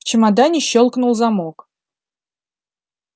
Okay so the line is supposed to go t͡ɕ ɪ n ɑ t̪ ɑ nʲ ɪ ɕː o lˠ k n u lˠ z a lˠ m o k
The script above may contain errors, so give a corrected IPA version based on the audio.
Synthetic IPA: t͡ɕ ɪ m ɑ d̪ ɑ nʲ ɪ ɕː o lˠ k n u lˠ z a m o k